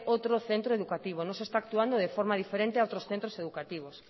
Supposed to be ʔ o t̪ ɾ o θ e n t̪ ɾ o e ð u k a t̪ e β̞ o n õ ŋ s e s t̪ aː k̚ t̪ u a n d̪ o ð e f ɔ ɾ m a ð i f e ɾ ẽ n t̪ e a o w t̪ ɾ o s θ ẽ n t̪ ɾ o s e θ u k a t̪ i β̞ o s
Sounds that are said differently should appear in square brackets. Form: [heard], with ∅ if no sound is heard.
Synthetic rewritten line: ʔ o t̪ ɾ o θ e n t̪ ɾ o e ð u k a t̪ [i] β̞ o n õ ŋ s e s t̪ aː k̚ t̪ u a n d̪ o ð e f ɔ ɾ m a ð i f e ɾ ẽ n t̪ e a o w t̪ ɾ o s θ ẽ n t̪ ɾ o s e [ð] u k a t̪ i β̞ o s

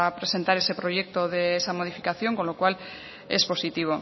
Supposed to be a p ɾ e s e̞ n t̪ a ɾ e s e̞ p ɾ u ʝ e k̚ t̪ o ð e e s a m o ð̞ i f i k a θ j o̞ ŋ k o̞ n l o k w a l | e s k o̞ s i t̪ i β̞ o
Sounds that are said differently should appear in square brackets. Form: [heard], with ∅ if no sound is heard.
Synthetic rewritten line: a p ɾ e s e̞ n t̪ a ɾ e s e̞ p ɾ [o] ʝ e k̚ t̪ o ð e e s a m o ð̞ i f i k a θ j o̞ ŋ k o̞ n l o k w a l | e s [p] o̞ s i t̪ i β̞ o

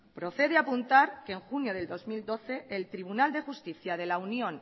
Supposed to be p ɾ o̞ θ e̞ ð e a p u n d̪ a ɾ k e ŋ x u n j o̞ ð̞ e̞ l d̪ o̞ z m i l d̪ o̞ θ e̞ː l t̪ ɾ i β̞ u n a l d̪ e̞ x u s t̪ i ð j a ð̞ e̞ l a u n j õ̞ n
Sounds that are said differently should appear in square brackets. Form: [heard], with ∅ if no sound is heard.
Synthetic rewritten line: p ɾ o̞ θ e̞ ð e a p u n [t̪] a ɾ k e ŋ x u n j o̞ ð̞ e̞ l d̪ o̞ z m i l d̪ o̞ θ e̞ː l t̪ ɾ i β̞ u n a l d̪ e̞ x u s t̪ i [θ] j a ð̞ e̞ l a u n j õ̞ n

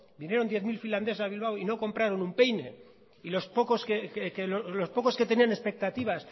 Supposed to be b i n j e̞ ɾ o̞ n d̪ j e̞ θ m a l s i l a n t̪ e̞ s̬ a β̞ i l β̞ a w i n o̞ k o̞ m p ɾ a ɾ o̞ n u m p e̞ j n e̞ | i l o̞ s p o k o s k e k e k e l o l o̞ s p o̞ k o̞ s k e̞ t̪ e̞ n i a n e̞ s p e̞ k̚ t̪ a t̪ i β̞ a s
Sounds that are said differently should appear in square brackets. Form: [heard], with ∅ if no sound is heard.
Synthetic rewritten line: b i n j e̞ ɾ o̞ n d̪ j e̞ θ m [i] l [f] i l a n [d̪] e̞ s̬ a β̞ i l β̞ a w i n o̞ k o̞ m p ɾ a ɾ o̞ n u m p e̞ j n e̞ | i l o̞ s p o k o s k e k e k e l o l o̞ s p o̞ k o̞ s k e̞ t̪ e̞ n i a n e̞ s p e̞ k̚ t̪ a t̪ i β̞ a s

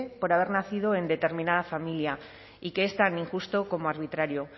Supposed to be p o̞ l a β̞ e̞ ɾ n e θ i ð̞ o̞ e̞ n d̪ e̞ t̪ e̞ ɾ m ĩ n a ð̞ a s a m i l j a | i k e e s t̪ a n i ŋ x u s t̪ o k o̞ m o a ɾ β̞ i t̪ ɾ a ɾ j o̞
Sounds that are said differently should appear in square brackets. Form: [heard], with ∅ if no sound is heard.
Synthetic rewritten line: p o̞ [ɾ] a β̞ e̞ ɾ n [a] θ i ð̞ o̞ e̞ n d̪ e̞ t̪ e̞ ɾ m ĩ n a ð̞ a [f] a m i l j a | i k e e s t̪ a n i ŋ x u s t̪ o k o̞ m o a ɾ β̞ i t̪ ɾ a ɾ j o̞

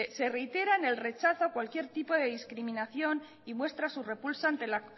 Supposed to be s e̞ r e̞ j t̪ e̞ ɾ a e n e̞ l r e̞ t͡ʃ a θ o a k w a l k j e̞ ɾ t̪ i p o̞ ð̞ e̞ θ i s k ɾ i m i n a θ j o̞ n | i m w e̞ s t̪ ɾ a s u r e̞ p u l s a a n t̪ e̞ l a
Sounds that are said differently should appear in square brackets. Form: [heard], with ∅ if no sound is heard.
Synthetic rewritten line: s e̞ r e̞ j t̪ e̞ ɾ a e n e̞ l r e̞ t͡ʃ a θ o a k w a l k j e̞ ɾ t̪ i p o̞ ð̞ e̞ [ð] i s k ɾ i m i n a θ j o̞ n | i m w e̞ s t̪ ɾ a s u r e̞ p u l s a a n t̪ e̞ l a

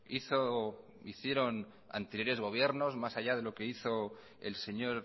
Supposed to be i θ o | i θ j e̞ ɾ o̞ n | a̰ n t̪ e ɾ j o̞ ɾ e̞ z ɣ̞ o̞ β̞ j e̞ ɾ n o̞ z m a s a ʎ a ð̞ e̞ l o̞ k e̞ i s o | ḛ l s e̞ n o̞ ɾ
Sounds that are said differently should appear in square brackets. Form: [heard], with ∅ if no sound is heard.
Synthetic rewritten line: i θ o | i θ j e̞ ɾ o̞ n | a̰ n t̪ e ɾ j o̞ ɾ e̞ z ɣ̞ o̞ β̞ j e̞ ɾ n o̞ z m a s a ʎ a ð̞ e̞ l o̞ k e̞ i [θ] o | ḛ l s e̞ [ɲ] o̞ ɾ

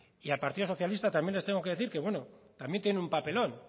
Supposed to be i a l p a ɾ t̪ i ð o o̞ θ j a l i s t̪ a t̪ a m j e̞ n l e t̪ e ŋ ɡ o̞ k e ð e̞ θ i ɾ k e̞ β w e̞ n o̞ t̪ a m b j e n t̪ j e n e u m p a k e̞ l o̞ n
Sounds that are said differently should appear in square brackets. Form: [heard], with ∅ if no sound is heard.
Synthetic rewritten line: i a l p a ɾ t̪ i ð o o̞ θ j a l i s t̪ a t̪ a m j e̞ n l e t̪ e ŋ ɡ o̞ k e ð e̞ θ i ɾ k e̞ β w e̞ n o̞ t̪ a m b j e n t̪ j e n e u m p a [p] e̞ l o̞ n

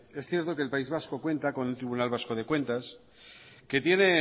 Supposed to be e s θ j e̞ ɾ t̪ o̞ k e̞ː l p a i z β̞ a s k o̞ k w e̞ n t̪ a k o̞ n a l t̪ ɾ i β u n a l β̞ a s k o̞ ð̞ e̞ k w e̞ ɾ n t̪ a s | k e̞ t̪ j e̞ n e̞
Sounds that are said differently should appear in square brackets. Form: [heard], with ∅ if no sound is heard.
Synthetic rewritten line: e s θ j e̞ ɾ t̪ o̞ k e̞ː l p a i z β̞ a s k o̞ k w e̞ n t̪ a k o̞ n [e] l t̪ ɾ i β u n a l β̞ a s k o̞ ð̞ e̞ k w e̞ [∅] n t̪ a s | k e̞ t̪ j e̞ n e̞

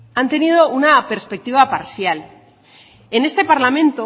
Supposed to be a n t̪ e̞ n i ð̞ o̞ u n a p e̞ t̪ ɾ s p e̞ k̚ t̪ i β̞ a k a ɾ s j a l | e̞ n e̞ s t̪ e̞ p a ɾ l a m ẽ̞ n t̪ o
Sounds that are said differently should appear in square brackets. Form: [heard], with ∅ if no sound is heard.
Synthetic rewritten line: a n t̪ e̞ n i ð̞ o̞ u n a p e̞ [∅] ɾ s p e̞ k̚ t̪ i β̞ a [p] a ɾ s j a l | e̞ n e̞ s t̪ e̞ p a ɾ l a m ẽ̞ n t̪ o

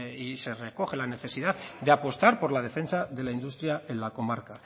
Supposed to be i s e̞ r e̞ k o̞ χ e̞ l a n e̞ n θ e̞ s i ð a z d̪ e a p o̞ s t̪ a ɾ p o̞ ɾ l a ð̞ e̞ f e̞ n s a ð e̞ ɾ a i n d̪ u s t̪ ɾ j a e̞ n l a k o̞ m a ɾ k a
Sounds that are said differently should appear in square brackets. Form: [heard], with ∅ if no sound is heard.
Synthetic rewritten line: i s e̞ r e̞ k o̞ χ e̞ l a n e̞ [∅] θ e̞ s i ð a [ð] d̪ e a p o̞ s t̪ a ɾ p o̞ ɾ l a ð̞ e̞ f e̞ n s a ð e̞ [l] a i n d̪ u s t̪ ɾ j a e̞ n l a k o̞ m a ɾ k a

